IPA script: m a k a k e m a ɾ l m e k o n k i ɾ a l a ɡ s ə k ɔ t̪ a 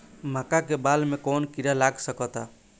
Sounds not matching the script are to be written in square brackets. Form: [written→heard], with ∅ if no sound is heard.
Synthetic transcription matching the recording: m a k a k e [m→b] a [ɾ→∅] l m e k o n k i ɾ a l a ɡ s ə k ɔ t̪ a